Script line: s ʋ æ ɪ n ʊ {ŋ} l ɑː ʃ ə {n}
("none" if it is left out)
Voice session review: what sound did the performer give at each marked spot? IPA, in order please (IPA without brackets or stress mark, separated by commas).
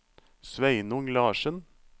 ŋ, n